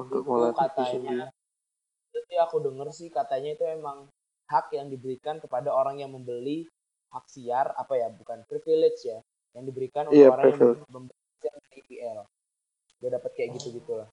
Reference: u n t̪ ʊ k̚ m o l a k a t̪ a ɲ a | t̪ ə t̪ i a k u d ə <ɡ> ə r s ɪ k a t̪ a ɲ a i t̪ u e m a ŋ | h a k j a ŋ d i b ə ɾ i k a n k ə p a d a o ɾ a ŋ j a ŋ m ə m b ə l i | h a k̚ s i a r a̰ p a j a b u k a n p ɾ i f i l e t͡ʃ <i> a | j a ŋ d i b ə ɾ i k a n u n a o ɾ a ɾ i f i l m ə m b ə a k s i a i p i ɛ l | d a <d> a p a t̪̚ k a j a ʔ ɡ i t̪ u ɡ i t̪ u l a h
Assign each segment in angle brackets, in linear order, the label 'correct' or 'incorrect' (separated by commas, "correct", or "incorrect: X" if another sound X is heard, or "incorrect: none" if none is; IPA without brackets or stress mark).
incorrect: ŋ, incorrect: j, correct